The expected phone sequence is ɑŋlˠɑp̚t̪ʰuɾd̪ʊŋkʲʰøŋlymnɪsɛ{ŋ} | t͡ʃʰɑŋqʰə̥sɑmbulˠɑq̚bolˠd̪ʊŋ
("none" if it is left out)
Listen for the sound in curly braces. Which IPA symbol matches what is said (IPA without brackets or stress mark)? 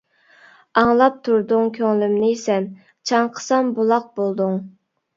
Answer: n